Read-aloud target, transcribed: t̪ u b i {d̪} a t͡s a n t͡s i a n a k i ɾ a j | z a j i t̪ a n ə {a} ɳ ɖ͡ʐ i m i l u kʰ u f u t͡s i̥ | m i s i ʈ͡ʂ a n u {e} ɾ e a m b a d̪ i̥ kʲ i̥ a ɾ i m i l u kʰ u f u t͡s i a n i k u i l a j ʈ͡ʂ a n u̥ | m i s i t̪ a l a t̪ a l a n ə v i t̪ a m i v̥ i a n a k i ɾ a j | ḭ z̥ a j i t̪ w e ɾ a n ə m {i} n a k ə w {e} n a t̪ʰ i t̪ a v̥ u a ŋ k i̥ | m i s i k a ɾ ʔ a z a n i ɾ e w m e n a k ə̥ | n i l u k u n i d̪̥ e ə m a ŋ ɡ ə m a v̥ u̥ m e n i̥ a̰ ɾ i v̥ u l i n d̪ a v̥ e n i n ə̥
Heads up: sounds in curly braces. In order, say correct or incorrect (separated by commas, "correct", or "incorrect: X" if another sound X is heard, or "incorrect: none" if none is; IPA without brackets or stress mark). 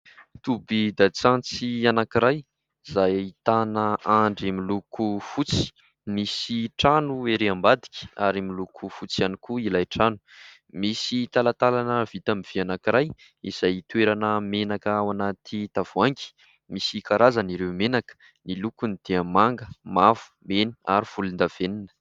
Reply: correct, correct, correct, incorrect: e, incorrect: a